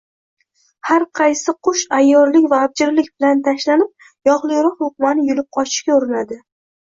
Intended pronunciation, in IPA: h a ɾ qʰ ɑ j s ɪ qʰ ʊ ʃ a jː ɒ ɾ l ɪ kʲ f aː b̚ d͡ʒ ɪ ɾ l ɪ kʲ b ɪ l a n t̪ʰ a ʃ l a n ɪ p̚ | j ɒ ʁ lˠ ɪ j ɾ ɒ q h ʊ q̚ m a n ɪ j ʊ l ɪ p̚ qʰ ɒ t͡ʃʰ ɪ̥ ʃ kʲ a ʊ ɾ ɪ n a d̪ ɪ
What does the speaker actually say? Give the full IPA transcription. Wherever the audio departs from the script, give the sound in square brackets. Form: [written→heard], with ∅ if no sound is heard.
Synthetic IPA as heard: h a ɾ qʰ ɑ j s ɪ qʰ ʊ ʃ a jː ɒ ɾ l ɪ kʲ [f→v] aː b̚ d͡ʒ ɪ ɾ l ɪ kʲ b ɪ l a n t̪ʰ a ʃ l a n ɪ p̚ | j ɒ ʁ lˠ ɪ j ɾ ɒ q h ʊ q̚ m a n ɪ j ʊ l ɪ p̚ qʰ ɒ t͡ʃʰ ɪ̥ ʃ kʲ a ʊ ɾ ɪ n a d̪ ɪ